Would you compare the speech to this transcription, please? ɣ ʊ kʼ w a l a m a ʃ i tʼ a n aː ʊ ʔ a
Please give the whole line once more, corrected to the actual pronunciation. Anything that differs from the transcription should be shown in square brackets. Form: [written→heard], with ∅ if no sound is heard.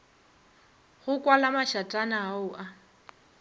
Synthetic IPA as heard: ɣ ʊ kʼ w a l a m a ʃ [i→a] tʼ a n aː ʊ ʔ a